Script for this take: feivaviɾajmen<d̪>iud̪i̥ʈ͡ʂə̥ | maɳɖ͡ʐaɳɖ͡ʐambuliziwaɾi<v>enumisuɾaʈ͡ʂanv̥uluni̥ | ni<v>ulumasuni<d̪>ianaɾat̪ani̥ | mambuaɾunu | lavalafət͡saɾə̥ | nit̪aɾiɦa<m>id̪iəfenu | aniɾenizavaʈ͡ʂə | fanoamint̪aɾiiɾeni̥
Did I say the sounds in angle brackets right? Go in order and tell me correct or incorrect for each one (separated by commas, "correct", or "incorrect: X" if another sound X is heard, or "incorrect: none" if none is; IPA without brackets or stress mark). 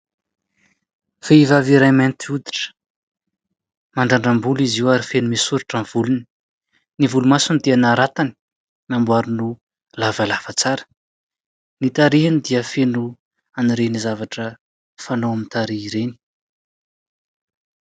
incorrect: t̪, incorrect: f, correct, correct, incorrect: n